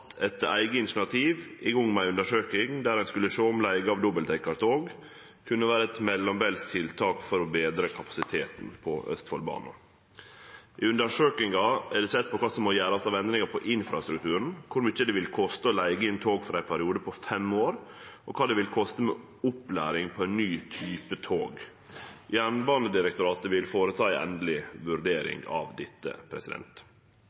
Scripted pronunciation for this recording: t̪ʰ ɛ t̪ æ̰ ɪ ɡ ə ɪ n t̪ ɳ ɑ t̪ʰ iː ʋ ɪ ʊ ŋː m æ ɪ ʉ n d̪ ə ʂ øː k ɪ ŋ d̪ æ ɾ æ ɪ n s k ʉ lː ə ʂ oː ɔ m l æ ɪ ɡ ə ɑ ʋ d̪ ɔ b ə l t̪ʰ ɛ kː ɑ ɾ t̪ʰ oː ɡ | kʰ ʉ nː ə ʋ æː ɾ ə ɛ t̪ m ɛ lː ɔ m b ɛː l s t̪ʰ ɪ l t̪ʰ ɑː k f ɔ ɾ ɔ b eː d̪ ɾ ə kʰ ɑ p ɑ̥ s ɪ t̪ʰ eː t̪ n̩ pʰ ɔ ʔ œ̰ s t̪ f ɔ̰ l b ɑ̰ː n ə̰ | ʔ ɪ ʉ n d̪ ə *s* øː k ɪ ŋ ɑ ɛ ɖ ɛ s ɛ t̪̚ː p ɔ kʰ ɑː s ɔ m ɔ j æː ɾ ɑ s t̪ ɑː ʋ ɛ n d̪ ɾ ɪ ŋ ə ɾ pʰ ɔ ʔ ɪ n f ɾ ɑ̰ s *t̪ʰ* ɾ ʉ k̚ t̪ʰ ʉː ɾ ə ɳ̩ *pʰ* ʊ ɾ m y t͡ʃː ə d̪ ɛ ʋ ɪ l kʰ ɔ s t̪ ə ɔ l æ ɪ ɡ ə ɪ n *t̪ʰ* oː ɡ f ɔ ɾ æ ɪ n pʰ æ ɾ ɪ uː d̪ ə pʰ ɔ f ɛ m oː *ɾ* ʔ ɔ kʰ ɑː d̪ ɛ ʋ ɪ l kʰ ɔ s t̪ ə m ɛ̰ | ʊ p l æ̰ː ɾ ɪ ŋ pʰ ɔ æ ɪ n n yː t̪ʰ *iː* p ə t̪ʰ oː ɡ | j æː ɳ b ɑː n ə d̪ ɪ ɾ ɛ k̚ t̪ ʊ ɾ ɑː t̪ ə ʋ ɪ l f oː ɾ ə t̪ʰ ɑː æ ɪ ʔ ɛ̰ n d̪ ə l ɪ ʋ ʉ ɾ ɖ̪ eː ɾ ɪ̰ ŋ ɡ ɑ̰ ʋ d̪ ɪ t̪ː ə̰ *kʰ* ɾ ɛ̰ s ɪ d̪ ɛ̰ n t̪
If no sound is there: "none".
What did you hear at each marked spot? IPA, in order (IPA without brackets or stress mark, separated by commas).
ʂ, t̪, kʰ, t̪ʰ, ɾ, yː, pʰ